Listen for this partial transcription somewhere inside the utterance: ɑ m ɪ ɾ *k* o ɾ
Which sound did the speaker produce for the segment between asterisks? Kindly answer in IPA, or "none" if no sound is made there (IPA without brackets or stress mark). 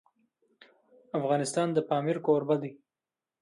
k